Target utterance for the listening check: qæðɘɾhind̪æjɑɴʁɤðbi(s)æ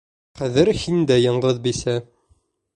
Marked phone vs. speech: correct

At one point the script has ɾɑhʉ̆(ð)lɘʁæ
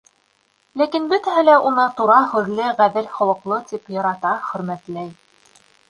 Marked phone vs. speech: correct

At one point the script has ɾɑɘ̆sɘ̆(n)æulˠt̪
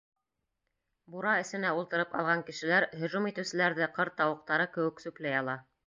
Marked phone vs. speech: correct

